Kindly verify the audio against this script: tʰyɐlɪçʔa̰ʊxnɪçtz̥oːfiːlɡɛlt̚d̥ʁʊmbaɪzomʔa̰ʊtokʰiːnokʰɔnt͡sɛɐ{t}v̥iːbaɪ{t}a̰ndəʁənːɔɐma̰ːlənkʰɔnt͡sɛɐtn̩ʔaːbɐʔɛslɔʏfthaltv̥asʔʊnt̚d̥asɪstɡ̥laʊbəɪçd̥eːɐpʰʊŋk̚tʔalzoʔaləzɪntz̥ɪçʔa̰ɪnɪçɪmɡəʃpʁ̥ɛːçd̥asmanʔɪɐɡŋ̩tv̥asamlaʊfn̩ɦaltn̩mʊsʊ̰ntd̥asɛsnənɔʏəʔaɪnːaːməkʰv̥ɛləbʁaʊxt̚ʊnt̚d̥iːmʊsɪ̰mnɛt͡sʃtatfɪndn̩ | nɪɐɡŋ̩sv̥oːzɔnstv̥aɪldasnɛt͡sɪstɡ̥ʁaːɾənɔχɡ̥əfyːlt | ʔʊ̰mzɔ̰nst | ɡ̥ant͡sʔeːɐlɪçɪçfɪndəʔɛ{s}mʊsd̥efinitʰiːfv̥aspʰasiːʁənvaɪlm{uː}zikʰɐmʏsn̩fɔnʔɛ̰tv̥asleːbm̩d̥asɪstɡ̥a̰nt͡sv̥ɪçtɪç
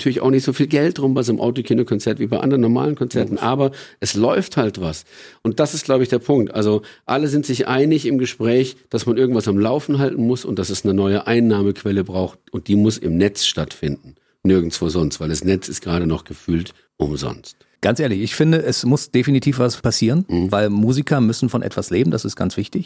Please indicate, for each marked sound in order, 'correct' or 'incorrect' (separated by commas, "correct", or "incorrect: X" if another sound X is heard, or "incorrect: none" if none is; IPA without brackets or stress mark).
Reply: correct, incorrect: ʔ, correct, correct